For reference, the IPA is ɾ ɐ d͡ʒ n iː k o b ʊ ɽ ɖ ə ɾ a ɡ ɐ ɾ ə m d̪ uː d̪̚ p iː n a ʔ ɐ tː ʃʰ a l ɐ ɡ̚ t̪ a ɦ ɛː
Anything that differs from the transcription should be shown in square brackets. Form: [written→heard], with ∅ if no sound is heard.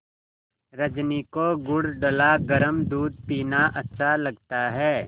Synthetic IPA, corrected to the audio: ɾ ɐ d͡ʒ n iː k o [b→ɡ] ʊ ɽ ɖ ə [ɾ→l] a ɡ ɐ ɾ ə m d̪ uː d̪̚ p iː n a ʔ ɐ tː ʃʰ a l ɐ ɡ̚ t̪ a ɦ ɛː